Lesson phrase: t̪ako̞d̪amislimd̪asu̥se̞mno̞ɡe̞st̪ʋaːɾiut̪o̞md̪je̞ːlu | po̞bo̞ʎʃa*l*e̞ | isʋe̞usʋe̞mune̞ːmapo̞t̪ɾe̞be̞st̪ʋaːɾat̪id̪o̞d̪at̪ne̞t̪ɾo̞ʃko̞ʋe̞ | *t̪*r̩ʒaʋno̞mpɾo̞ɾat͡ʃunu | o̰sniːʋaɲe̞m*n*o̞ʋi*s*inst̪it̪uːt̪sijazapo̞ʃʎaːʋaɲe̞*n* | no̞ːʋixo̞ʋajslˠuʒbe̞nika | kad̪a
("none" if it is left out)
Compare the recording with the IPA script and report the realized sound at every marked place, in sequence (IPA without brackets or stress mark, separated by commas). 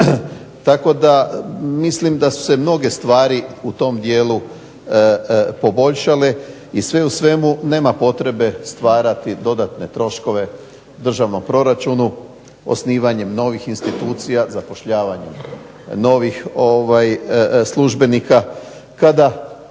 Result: l, d̪, n, x, m